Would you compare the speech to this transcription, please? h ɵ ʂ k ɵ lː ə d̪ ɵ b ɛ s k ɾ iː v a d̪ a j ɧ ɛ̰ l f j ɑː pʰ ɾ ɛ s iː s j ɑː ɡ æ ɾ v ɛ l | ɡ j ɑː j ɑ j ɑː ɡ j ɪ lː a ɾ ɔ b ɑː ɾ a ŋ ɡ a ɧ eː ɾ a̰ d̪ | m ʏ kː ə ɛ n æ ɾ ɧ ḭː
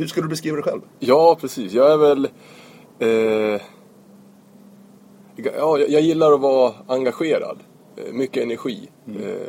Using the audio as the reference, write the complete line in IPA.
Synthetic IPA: h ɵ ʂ k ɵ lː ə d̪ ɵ b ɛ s k ɾ iː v a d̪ ɛ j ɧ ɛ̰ l v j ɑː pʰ ɾ ɛ s iː s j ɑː ɡ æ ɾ v ɛ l | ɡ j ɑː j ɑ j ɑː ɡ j ɪ lː a ɾ ɔ v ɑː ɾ a ŋ ɡ a ɧ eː ɾ a̰ d̪ | m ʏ kː ə ɛ n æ ɾ ɧ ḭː